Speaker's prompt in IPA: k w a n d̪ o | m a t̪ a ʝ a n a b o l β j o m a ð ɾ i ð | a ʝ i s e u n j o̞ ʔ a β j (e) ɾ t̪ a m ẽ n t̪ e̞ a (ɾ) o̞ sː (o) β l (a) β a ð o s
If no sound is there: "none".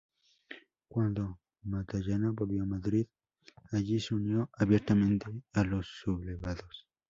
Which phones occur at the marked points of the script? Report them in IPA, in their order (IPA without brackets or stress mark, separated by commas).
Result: e, l, u, e